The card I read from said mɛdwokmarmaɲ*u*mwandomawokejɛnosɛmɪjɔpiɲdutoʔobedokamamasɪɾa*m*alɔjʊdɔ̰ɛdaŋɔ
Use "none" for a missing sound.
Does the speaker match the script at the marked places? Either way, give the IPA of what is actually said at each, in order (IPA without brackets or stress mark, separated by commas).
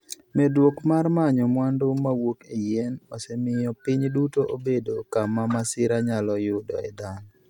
ɔ, ɲ